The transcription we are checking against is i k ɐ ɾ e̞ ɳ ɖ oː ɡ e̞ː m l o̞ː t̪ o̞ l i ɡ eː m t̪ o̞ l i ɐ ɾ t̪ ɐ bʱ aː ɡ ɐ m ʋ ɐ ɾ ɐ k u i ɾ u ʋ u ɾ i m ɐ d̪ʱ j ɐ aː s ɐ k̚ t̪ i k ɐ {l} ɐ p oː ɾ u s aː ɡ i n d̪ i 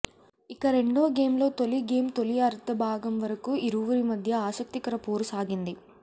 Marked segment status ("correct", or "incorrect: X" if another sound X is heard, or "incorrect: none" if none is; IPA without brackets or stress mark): incorrect: ɾ